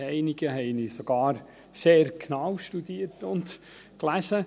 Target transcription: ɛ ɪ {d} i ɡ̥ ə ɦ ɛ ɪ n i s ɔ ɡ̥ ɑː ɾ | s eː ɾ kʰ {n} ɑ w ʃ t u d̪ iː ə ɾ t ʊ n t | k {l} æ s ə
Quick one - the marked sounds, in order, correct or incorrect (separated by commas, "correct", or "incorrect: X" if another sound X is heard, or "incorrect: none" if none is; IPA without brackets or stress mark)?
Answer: incorrect: n, correct, correct